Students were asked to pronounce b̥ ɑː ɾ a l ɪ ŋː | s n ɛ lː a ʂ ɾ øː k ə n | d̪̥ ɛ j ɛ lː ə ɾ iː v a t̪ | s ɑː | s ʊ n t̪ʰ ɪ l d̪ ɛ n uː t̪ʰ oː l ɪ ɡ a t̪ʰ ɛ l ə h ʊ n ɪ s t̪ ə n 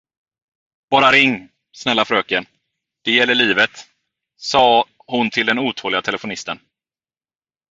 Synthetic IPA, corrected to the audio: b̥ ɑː ɾ a ɾ ɪ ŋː | s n ɛ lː a f ɾ øː k ə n | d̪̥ ɛ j ɛ lː ə ɭ iː v ə t̪ | s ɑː | h ʊ n t̪ʰ ɪ l d̪ ɛ n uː t̪ʰ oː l ɪ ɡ a t̪ʰ ɛ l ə f ʊ n ɪ s t̪ ə n

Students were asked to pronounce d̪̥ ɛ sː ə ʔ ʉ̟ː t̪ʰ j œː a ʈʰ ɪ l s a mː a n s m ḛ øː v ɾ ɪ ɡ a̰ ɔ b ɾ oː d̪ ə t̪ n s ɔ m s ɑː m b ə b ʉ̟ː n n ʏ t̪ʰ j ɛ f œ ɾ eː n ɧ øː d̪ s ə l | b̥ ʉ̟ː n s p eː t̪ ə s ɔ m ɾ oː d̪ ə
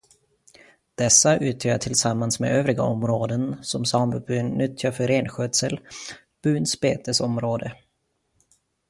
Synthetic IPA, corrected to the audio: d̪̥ ɛ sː a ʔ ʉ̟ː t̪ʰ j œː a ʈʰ ɪ l s a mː a n s m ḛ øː v ɾ ɪ ɡ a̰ ɔ m ɾ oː d̪ ə n s ɔ m s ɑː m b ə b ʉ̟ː n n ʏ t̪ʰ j a f œ ɾ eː n ɧ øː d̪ s ə l | b̥ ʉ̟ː n s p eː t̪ ə s ɔ m ɾ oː d̪ ə

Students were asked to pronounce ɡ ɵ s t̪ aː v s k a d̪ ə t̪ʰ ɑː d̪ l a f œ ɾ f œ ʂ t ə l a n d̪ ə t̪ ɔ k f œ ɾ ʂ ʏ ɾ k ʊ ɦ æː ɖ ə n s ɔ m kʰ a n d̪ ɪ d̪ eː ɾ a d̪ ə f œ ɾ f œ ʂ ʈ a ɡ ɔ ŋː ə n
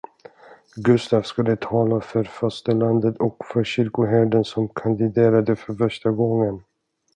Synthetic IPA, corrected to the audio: ɡ ɵ s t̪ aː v s k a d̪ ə t̪ʰ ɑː l a f œ ɾ f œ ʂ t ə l a n d̪ ə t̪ ɔ k f œ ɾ ɕ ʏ ɾ k ʊ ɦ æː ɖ ə n s ɔ m kʰ a n d̪ ɪ d̪ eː ɾ a d̪ ə f œ ɾ f œ ʂ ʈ a ɡ ɔ ŋː ə n

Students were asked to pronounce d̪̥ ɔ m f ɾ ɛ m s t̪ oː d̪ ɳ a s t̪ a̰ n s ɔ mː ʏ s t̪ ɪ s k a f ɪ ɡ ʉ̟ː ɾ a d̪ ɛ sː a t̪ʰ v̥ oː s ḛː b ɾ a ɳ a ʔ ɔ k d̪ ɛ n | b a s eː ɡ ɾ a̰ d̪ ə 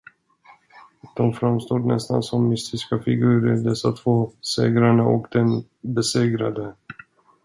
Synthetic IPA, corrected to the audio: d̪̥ ɔ m f ɾ a m s t̪ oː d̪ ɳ ɛ s t̪ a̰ n s ɔ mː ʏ s t̪ ɪ s k a f ɪ ɡ ʉ̟ː ɾ ə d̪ ɛ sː a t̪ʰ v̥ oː s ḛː ɡ ɾ a ɳ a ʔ ɔ k d̪ ɛ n | b ɛ s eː ɡ ɾ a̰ d̪ ə

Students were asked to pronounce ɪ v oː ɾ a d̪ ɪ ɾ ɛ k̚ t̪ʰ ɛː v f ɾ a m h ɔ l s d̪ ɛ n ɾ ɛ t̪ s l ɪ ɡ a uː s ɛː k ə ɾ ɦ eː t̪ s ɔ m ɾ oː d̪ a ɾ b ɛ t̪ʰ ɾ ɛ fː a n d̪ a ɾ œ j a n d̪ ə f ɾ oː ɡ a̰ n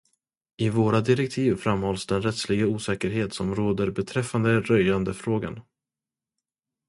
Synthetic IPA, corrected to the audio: ɪ v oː ɾ a d̪ ɪ ɾ ɛ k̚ t̪ʰ iː v f ɾ a m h ɔ l s d̪ ɛ n ɾ ɛ t̪ s l ɪ ɡ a uː s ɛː k ə ɾ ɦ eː t̪ s ɔ m ɾ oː d̪ ə ɾ b ɛ t̪ʰ ɾ ɛ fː a n d̪ ə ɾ œ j a n d̪ ə f ɾ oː ɡ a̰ n

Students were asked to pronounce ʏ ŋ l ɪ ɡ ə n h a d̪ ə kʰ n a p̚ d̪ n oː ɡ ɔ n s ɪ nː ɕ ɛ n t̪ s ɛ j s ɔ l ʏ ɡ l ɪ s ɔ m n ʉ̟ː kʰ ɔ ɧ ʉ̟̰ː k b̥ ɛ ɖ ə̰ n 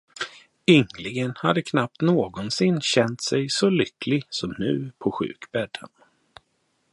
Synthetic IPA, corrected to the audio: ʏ ŋ l ɪ ɡ ə n h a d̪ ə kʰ n a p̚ t̪ n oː ɡ ɔ n s ɪ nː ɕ ɛ n t̪ s ɛ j s ɔ l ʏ k l ɪ s ɔ m n ʉ̟ː pʰ ɔ ɧ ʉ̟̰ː k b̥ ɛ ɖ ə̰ n

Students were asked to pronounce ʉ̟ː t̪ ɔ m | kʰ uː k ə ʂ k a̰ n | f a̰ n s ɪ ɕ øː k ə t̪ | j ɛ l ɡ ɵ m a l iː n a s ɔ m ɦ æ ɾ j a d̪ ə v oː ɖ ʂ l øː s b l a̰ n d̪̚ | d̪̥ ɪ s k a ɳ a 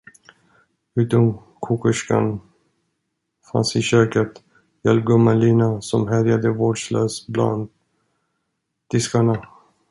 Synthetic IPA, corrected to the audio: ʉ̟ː t̪ ɔ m | kʰ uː k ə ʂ k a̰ n | f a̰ n s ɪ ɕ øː k ə t̪ | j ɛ l ɡ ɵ m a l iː n a s ɔ m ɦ æ ɾ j a d̪ ə v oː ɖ ʂ l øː s b l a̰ n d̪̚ | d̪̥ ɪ s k a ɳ a

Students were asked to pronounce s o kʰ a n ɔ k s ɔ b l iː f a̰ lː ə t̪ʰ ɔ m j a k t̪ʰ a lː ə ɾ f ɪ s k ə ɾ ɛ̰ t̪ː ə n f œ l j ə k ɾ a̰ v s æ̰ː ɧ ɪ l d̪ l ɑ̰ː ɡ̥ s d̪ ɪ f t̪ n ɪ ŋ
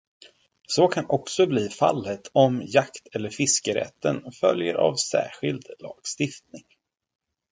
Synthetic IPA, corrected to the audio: s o kʰ a n ɔ k s ɔ b l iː f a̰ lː ə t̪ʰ ɔ m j a k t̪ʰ ɛ lː ə ɾ f ɪ s k ə ɾ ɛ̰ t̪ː ə n f œ l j ə ɾ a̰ v s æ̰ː ɧ ɪ l d̪ l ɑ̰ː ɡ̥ s t̪ ɪ f t̪ n ɪ ŋ

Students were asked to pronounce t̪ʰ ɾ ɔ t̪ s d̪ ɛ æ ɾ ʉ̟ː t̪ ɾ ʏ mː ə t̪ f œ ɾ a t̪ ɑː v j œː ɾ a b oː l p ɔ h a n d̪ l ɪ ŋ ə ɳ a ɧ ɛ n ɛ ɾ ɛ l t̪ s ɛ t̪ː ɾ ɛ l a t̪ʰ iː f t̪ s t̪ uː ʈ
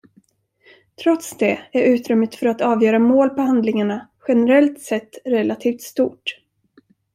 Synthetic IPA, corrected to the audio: t̪ʰ ɾ ɔ t̪ s d̪ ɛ æ ɾ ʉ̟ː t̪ ɾ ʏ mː ə t̪ f œ ɾ a t̪ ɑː v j œː ɾ a m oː l p ɔ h a n d̪ l ɪ ŋ a ɳ a ɧ ɛ n ɛ ɾ ɛ l t̪ s ɛ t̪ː ɾ ɛ l a t̪ʰ iː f t̪ s t̪ uː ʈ

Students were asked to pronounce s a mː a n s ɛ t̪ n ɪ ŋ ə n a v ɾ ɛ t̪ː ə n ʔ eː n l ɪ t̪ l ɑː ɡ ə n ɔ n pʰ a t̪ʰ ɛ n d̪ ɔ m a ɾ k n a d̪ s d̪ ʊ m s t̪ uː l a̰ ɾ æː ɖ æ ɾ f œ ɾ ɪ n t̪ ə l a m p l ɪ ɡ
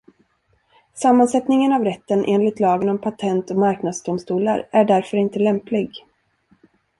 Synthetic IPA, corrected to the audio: s a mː a n s ɛ t̪ n ɪ ŋ ə n a v ɾ ɛ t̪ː ə n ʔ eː n l ɪ t̪ l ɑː ɡ ə n ɔ m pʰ a t̪ʰ ɛ n t̪ ɔ m a ɾ k n a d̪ s d̪ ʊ m s t̪ uː l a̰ ɾ æ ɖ æ ɾ f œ ɾ ɪ n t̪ ə l ɛ m p l ɪ ɡ

